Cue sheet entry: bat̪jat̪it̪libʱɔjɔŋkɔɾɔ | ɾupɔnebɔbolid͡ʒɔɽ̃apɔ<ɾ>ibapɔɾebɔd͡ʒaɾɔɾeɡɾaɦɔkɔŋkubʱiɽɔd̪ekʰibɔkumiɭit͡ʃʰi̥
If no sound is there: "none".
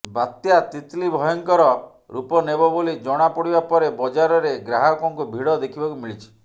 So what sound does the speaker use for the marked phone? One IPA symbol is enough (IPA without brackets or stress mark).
ɽ